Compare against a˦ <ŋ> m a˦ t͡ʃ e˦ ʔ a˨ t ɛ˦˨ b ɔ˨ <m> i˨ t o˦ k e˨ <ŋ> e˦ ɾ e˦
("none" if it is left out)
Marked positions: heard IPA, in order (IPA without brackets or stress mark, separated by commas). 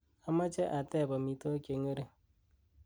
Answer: none, m, ŋ